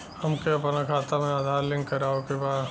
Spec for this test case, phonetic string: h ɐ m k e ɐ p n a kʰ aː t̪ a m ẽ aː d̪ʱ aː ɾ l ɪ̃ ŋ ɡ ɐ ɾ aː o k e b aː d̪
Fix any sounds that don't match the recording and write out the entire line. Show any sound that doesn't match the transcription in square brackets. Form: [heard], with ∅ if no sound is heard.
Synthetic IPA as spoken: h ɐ m k e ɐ p n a kʰ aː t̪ a m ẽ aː d̪ʱ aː ɾ l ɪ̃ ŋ [k] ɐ ɾ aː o k e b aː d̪

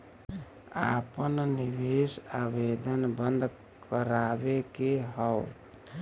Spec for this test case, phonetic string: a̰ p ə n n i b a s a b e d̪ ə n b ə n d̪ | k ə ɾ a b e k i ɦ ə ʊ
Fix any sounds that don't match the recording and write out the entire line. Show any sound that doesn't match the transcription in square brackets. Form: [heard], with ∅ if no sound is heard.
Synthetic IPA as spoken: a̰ p ə n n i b [e] s a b e d̪ ə n b ə n d̪ | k ə ɾ a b e k [e] ɦ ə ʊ

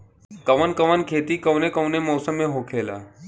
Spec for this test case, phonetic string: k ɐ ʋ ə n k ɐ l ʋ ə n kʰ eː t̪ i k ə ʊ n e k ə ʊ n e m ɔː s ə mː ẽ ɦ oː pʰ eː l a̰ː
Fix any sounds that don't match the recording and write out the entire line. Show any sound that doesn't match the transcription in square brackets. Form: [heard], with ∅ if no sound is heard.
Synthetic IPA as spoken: k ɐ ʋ ə n k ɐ [∅] ʋ ə n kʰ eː t̪ i k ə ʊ n e k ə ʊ n e m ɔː s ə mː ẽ ɦ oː [kʰ] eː l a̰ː

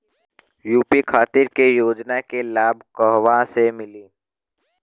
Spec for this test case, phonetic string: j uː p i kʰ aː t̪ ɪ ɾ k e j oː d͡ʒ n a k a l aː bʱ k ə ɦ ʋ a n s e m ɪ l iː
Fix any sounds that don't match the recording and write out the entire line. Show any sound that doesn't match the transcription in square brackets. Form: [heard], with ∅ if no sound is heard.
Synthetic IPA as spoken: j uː p i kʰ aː t̪ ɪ ɾ k e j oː d͡ʒ n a k [e] l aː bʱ k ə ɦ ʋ a [∅] s e m ɪ l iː

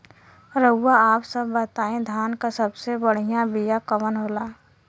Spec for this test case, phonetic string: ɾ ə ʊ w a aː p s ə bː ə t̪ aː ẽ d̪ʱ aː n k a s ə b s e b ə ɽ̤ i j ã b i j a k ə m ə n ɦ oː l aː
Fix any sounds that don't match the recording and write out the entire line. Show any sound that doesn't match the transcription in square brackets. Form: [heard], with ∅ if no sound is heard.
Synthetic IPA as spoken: ɾ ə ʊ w a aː p s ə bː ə t̪ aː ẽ d̪ʱ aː n k a s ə b s e b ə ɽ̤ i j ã b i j a k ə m ə n ɦ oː l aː

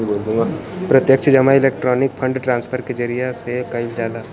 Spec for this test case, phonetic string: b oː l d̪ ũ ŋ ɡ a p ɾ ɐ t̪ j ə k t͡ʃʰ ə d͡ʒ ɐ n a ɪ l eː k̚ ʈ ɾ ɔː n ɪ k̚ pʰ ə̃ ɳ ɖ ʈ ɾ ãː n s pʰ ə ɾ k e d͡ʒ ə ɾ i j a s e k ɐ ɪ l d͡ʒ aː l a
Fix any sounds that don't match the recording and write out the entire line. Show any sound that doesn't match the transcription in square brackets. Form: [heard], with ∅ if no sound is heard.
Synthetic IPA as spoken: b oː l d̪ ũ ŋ ɡ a p ɾ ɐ t̪ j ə k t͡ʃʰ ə d͡ʒ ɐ [m] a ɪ l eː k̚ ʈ ɾ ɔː n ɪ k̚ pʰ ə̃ ɳ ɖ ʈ ɾ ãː n s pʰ ə ɾ k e d͡ʒ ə ɾ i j a s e k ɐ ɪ l d͡ʒ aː l a

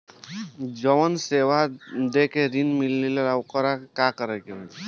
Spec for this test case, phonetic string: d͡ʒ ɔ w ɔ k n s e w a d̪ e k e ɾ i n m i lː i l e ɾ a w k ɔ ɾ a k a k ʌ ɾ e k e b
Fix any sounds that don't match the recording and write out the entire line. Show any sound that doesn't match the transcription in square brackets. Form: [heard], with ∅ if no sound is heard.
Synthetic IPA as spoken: d͡ʒ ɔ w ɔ [∅] n s e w a d̪ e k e ɾ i n m i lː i l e ɾ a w k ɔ ɾ a k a k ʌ ɾ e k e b

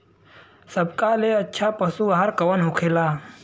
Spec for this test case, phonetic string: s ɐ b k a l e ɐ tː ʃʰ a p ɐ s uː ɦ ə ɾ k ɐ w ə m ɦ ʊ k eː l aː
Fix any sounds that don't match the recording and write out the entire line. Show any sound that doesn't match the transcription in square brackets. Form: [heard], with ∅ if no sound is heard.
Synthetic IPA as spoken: s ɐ b k a l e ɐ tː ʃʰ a p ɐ s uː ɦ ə ɾ k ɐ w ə [n] ɦ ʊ [kʰ] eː l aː

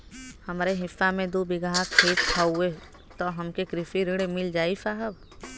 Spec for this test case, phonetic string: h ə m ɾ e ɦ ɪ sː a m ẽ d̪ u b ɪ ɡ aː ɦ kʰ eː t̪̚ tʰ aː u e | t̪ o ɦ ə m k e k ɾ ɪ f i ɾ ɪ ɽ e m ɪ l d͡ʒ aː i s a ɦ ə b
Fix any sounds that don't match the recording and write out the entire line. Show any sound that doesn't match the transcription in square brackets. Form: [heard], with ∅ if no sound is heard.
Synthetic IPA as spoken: h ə m ɾ e ɦ ɪ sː a m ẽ d̪ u b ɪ ɡ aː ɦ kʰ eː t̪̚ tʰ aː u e | t̪ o ɦ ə m k e k ɾ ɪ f i ɾ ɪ ɽ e m ɪ l d͡ʒ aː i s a ɦ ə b

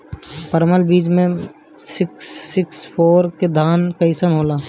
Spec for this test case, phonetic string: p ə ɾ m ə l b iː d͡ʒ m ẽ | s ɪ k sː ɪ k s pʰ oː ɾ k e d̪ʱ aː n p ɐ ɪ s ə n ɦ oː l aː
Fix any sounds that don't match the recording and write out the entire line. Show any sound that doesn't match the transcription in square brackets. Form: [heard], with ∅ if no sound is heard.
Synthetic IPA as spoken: p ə ɾ m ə l b iː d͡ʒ m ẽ | s ɪ k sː ɪ k s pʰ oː ɾ k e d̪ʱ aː n [k] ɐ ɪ s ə n ɦ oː l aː

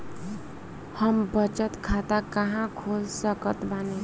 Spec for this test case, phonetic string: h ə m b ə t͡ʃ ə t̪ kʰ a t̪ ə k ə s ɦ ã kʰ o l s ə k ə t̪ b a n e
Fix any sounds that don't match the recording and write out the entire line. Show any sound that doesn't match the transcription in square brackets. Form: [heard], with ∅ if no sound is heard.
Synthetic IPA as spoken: h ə m b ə t͡ʃ ə t̪ kʰ a t̪ [a] k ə [∅] ɦ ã kʰ o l s ə k ə t̪ b a n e

